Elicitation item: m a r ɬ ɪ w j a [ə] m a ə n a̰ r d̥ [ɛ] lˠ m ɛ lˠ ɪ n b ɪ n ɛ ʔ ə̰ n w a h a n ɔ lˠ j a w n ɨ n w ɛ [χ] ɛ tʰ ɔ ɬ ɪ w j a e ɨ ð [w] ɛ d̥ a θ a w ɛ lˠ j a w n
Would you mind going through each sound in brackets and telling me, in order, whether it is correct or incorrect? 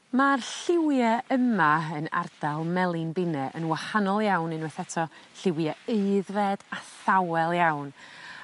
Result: correct, incorrect, incorrect, incorrect

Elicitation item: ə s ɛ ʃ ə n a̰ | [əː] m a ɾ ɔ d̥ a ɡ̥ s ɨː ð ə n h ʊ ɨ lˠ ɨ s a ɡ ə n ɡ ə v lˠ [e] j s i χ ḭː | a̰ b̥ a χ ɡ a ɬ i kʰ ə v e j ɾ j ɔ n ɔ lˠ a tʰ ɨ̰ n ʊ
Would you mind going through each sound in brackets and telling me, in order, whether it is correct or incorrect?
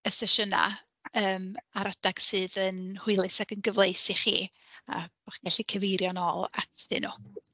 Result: correct, correct

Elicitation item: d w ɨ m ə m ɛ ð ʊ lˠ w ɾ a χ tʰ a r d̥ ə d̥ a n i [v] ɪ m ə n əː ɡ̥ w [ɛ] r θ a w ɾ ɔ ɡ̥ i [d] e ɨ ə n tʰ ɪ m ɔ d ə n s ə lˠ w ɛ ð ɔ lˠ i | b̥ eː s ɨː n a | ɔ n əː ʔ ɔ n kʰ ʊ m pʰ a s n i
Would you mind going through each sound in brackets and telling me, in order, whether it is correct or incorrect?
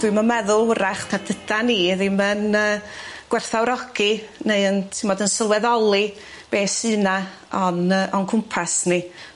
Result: incorrect, correct, incorrect

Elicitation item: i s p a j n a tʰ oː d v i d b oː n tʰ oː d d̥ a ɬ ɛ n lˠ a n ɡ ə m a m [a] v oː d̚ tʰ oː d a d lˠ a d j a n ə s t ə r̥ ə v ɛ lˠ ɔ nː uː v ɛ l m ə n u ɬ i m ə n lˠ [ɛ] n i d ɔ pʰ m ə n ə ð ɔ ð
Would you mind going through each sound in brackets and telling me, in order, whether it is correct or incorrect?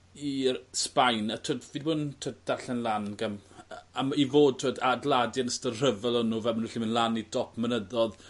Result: incorrect, incorrect

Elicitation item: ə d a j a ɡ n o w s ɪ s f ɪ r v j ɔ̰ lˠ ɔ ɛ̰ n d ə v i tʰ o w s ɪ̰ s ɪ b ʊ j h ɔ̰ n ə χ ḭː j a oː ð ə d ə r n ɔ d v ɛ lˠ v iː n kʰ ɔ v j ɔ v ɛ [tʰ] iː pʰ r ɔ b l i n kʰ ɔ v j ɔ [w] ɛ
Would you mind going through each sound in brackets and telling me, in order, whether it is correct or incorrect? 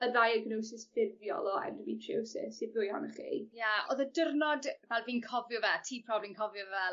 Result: correct, incorrect

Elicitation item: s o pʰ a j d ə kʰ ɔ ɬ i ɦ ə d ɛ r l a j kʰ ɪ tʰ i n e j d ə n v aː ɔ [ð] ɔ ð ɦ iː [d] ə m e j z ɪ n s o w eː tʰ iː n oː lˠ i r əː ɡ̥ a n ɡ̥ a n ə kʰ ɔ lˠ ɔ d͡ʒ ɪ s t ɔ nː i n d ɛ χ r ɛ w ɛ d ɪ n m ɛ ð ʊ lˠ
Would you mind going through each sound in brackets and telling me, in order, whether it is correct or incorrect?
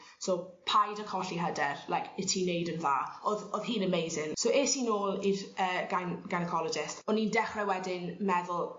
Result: correct, incorrect

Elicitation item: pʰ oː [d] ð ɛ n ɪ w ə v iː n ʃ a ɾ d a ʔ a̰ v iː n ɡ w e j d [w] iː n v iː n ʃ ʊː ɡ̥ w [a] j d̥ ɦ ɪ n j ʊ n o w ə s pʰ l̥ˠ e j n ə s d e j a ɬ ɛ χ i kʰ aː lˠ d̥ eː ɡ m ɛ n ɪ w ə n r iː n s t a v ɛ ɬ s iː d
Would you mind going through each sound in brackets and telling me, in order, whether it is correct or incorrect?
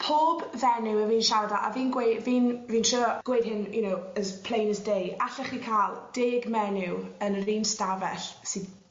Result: incorrect, incorrect, incorrect

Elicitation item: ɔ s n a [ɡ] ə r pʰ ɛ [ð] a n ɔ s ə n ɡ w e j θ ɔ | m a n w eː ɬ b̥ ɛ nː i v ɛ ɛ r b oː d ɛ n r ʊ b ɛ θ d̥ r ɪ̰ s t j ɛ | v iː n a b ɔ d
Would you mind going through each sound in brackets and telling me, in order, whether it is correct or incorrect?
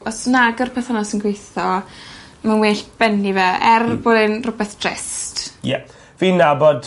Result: correct, incorrect

